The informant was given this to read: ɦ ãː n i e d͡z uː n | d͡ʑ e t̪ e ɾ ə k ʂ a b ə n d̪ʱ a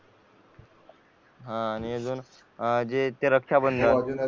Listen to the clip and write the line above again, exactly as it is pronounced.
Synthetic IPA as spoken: ɦ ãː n i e d͡z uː n | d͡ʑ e t̪ e ɾ ə k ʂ a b ə n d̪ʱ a